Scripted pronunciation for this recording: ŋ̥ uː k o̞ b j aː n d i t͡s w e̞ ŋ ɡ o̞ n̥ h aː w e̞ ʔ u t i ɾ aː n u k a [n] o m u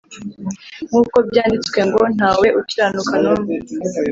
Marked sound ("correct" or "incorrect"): correct